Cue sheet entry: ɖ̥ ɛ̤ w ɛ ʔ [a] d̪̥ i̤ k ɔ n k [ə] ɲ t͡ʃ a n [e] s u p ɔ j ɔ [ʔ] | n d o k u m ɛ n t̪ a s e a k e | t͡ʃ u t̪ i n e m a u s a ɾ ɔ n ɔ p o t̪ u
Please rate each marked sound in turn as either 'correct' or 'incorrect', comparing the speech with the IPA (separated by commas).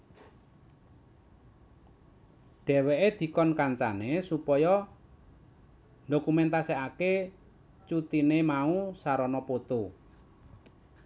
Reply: incorrect, incorrect, correct, incorrect